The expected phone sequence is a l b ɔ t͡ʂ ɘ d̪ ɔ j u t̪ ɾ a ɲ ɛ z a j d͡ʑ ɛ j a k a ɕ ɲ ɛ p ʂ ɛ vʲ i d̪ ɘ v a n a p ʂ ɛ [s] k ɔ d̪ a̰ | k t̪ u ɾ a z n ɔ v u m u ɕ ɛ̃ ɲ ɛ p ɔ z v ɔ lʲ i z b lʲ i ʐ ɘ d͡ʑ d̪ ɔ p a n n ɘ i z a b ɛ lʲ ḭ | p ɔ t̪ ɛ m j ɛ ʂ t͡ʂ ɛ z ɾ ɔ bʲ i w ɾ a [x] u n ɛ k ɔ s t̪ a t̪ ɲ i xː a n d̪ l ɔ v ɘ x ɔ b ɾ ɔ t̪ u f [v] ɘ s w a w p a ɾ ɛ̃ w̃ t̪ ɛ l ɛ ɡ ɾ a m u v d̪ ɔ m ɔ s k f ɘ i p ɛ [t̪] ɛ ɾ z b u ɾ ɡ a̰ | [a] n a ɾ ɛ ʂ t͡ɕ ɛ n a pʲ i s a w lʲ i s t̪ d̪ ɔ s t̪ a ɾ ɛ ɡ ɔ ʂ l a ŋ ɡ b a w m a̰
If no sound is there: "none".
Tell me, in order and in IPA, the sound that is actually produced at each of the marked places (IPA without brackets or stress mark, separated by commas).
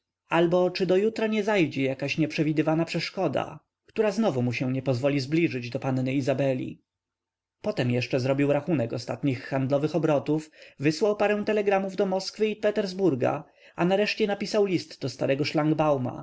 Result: ʂ, x, v, t̪, a